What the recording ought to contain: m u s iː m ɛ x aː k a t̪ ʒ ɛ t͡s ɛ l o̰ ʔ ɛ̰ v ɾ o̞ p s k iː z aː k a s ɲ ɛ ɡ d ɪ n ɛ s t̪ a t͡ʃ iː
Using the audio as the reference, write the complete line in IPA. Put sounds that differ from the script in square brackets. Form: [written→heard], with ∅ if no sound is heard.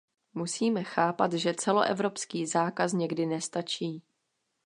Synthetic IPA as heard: m u s iː m ɛ x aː [k→p] a t̪ ʒ ɛ t͡s ɛ l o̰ ʔ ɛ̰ v ɾ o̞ p s k iː z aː k a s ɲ ɛ ɡ d ɪ n ɛ s t̪ a t͡ʃ iː